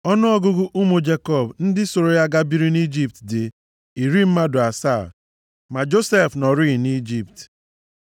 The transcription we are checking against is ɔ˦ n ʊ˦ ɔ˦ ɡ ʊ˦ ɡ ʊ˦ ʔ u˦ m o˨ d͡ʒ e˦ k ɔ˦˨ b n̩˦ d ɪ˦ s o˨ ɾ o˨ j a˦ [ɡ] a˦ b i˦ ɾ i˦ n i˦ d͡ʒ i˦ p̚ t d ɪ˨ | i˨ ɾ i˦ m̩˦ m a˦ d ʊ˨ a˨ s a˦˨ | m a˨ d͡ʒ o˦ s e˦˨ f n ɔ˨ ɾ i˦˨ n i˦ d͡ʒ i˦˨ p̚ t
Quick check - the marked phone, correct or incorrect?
correct